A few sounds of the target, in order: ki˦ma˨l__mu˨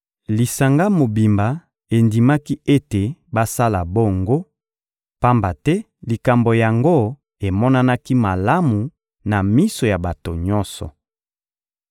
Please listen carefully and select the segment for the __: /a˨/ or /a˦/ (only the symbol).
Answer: a˦